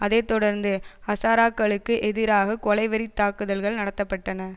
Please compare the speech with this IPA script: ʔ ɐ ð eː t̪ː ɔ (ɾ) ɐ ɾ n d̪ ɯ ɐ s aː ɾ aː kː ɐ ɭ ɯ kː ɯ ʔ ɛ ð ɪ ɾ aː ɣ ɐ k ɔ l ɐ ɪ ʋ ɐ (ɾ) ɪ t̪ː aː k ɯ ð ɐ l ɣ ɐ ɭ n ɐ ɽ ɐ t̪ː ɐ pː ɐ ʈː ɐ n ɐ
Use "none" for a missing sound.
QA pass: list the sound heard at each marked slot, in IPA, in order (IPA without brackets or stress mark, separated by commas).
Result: ɽ, ɾ